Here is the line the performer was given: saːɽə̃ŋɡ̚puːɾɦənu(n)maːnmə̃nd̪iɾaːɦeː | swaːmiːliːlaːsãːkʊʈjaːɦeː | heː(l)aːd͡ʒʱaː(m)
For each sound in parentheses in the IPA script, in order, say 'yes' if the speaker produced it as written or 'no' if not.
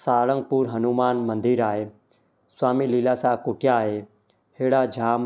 no, no, yes

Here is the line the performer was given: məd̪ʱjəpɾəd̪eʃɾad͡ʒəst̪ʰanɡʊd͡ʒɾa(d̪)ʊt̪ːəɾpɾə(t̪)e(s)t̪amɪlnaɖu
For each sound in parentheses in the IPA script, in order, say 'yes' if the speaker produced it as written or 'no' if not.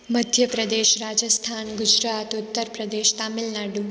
no, no, no

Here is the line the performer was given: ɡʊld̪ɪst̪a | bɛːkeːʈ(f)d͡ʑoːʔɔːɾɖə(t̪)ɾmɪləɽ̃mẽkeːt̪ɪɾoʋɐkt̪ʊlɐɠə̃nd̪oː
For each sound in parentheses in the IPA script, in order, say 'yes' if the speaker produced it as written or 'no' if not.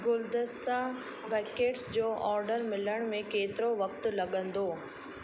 no, no

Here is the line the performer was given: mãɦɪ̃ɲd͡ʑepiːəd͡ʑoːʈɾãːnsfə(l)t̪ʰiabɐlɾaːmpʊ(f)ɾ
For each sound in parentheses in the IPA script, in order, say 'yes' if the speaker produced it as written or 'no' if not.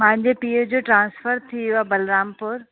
no, no

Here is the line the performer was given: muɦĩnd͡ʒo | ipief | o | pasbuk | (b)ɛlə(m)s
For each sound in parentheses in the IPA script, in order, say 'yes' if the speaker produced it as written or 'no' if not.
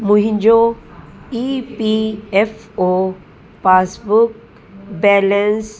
yes, no

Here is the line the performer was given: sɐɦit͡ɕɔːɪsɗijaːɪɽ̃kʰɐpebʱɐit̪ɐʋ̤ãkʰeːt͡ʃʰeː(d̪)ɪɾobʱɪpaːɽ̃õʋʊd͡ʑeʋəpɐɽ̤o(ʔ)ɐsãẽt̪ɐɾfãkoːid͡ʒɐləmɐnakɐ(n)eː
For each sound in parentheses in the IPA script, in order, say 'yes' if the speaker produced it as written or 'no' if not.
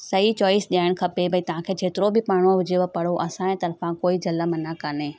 no, yes, yes

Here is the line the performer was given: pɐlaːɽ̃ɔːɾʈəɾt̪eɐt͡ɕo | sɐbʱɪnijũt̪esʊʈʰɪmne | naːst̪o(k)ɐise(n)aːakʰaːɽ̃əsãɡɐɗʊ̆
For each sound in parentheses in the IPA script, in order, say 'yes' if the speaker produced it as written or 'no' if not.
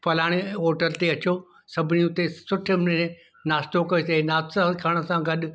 yes, yes

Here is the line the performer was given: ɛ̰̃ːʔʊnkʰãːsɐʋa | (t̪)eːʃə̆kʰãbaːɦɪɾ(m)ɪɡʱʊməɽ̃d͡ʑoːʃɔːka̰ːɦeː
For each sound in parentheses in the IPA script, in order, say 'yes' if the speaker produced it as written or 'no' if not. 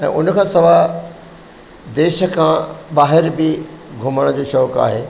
no, no

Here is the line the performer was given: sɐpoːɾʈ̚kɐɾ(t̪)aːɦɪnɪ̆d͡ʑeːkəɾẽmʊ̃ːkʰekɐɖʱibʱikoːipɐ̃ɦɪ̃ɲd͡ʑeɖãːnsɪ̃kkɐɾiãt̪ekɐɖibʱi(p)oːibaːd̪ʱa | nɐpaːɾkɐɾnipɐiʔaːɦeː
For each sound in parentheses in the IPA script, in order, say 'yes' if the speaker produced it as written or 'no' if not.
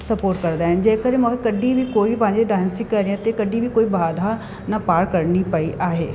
no, no

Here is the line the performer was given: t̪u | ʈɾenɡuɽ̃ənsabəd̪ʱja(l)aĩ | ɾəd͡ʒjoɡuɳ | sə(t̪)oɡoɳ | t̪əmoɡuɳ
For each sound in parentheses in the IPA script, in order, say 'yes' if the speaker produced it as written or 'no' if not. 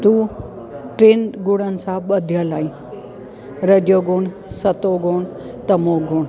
yes, yes

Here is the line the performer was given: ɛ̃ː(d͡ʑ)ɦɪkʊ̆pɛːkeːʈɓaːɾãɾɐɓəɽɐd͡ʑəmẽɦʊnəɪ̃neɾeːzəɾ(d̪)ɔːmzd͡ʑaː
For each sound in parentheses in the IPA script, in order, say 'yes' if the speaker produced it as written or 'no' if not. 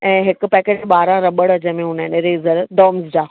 no, yes

